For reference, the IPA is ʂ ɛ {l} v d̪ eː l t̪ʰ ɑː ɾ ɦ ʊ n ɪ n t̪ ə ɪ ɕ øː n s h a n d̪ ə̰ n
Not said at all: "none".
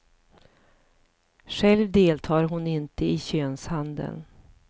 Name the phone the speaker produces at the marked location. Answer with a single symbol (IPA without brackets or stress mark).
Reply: l